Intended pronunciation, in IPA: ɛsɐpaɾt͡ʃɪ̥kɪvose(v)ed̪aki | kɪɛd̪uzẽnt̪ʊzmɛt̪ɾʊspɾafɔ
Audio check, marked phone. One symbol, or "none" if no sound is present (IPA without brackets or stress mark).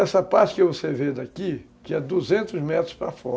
v